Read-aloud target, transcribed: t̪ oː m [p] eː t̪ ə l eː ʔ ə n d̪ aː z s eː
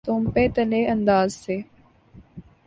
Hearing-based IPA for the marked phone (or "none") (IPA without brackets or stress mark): p